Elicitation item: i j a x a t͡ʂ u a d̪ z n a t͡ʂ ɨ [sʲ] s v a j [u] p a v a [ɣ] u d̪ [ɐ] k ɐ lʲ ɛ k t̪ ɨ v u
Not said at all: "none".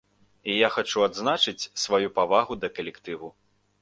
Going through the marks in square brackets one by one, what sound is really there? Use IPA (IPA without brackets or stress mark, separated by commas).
t͡sʲ, u, ɣ, ɐ